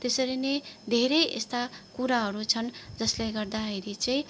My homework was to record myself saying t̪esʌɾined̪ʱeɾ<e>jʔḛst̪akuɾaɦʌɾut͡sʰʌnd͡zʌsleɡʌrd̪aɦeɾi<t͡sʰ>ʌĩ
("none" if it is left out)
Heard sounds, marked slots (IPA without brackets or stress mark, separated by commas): e, t͡s